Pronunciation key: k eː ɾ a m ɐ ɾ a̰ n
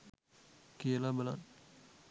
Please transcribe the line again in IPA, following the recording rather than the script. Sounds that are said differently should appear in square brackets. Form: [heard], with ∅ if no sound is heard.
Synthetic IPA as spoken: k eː [l] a [b] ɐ [l] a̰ n